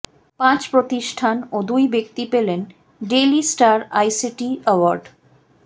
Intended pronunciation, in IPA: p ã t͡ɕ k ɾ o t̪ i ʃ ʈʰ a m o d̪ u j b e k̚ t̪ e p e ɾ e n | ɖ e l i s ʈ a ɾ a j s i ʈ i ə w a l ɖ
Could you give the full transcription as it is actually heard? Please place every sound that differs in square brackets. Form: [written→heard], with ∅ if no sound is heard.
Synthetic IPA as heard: p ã t͡ɕ [k→p] ɾ o t̪ i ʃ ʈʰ a [m→n] o d̪ u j b e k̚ t̪ [e→i] p e [ɾ→l] e n | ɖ e l i s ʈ a ɾ a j s i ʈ i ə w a [l→ɾ] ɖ